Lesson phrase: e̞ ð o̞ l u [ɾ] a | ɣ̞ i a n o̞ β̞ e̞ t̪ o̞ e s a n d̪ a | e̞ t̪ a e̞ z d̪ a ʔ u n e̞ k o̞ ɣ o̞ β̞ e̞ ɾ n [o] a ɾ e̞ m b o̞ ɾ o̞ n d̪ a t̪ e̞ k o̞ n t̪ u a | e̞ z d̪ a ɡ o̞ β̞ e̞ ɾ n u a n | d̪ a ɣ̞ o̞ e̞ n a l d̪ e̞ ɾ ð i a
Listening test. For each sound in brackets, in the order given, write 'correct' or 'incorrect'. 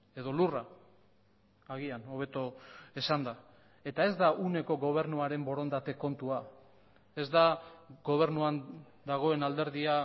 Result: incorrect: r, incorrect: u

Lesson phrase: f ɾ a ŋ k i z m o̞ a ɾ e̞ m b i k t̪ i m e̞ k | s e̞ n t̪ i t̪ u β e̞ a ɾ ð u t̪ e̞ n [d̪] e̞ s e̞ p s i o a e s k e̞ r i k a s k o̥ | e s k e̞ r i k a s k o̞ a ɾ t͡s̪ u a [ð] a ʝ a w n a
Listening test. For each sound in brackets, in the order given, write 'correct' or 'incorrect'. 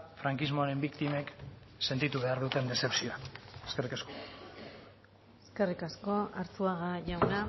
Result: correct, incorrect: ɣ

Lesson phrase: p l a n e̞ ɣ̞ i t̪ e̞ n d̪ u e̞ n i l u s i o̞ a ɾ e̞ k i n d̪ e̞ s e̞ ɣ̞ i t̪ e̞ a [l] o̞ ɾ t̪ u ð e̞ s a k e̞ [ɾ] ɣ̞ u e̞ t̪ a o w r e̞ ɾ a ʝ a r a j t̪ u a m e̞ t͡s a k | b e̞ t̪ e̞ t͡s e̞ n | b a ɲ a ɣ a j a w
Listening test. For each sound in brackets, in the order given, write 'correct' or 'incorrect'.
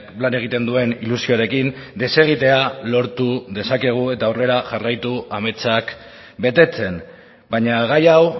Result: correct, incorrect: none

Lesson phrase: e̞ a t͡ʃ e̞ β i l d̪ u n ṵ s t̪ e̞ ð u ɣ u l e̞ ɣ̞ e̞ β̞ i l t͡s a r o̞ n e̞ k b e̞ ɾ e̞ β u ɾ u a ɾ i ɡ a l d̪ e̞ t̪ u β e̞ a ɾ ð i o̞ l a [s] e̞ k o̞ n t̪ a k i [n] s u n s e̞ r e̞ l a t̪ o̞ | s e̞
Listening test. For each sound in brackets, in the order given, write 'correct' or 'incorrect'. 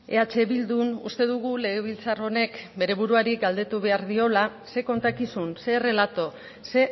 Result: correct, incorrect: none

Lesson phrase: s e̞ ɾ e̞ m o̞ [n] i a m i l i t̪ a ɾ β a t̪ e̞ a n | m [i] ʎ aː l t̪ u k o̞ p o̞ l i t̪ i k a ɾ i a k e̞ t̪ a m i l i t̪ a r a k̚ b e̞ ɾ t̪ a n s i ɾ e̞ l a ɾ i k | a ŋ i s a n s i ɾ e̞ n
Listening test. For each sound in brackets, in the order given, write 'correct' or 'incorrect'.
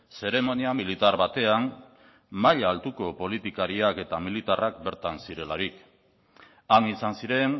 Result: correct, incorrect: a

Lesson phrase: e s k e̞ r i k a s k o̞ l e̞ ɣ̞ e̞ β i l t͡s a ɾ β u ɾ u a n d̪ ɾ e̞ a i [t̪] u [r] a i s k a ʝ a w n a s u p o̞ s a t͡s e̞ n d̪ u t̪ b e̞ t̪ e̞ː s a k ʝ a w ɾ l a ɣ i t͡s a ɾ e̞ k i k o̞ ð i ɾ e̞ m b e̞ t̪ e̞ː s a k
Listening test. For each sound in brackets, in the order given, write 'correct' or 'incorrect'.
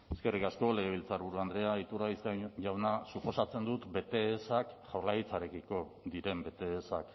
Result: correct, incorrect: ɾ

